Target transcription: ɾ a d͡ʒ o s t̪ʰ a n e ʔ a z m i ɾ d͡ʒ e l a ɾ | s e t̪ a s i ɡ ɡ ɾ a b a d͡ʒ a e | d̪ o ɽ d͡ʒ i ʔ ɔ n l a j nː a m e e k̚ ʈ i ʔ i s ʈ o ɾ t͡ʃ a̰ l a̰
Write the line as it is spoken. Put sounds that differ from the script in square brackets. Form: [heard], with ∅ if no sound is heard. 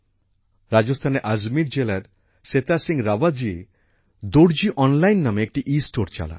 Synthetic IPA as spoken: ɾ a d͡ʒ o s t̪ʰ a n e ʔ a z m i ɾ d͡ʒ e l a ɾ | s e t̪ a s i [ŋ] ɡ ɾ a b a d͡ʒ [i] e | d̪ o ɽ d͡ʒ i ʔ ɔ n l a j nː a m e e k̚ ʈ i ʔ i s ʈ o ɾ t͡ʃ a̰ l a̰